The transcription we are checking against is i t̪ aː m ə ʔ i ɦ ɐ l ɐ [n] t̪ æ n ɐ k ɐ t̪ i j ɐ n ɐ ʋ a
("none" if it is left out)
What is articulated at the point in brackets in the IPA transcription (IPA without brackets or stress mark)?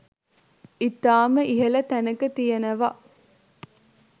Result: none